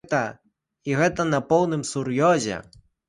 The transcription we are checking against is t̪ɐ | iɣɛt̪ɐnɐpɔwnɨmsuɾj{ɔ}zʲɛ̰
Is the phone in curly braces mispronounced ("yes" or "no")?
no